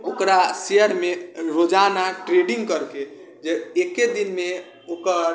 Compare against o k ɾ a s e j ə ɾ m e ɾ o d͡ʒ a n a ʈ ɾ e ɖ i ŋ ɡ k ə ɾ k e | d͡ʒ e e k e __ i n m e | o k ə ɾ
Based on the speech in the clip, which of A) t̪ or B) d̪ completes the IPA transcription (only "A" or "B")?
B